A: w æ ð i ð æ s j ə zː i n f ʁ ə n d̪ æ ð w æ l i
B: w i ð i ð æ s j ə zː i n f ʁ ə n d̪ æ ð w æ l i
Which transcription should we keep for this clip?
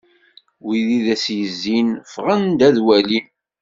B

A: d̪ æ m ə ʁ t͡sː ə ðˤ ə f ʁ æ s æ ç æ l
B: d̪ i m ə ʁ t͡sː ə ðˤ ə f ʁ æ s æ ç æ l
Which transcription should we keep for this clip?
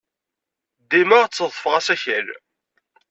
B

